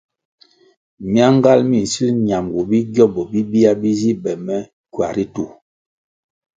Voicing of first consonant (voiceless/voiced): voiced